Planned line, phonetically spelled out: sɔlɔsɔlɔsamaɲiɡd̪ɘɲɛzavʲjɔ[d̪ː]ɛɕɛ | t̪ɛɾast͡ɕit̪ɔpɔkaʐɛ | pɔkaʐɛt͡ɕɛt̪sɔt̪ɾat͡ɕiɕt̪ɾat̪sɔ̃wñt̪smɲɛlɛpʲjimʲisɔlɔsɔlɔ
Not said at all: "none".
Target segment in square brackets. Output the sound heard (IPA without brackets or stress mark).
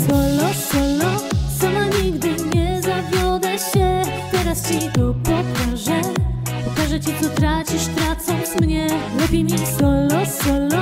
d̪